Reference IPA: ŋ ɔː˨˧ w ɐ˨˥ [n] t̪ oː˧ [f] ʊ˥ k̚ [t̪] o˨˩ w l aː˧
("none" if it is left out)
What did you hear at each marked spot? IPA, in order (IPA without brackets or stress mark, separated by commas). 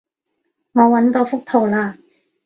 n, f, t̪ʰ